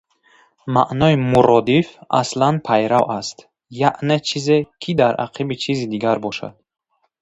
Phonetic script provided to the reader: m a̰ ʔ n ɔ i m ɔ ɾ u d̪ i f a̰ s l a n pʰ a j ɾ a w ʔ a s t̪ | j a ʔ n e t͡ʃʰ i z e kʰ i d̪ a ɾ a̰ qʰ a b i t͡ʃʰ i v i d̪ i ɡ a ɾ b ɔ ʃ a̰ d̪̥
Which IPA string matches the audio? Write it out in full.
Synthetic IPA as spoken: m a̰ ʔ n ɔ i m u ɾ ɔ d̪ i f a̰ s l a n pʰ a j ɾ a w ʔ a s t̪ | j a ʔ n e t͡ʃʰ i z e kʰ i d̪ a ɾ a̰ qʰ i b i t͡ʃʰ i z i d̪ i ɡ a ɾ b ɔ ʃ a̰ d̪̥